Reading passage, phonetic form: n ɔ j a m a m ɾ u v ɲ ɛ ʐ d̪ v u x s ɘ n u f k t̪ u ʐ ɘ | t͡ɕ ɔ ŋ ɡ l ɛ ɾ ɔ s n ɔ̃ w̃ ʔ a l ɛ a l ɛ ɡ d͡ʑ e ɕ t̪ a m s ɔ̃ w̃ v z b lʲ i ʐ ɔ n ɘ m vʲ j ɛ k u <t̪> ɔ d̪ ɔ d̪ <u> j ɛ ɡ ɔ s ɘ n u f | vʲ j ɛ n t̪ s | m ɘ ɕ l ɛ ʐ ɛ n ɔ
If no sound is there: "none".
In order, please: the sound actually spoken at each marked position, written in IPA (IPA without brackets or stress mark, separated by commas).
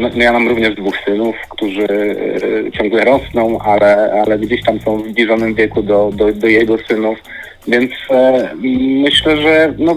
d̪, ɔ